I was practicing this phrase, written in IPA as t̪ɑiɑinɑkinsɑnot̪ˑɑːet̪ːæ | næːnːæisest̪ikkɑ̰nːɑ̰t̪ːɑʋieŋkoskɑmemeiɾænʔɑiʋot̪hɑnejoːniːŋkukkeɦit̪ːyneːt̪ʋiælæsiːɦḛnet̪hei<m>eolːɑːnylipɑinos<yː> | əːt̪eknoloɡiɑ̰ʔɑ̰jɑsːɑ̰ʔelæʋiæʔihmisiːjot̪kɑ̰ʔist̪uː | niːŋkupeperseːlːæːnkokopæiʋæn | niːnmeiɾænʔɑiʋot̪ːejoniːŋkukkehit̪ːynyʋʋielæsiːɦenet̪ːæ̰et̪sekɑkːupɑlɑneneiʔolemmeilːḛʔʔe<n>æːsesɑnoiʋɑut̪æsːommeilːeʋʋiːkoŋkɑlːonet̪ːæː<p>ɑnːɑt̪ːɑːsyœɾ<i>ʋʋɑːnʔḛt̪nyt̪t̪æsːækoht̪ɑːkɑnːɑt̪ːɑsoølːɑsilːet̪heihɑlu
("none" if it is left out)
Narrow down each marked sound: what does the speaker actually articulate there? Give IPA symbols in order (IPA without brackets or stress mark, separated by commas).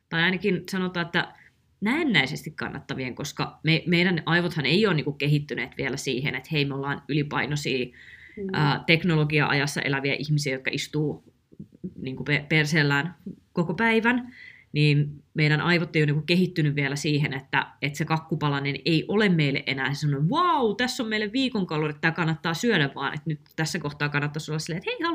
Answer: m, iː, n, k, æ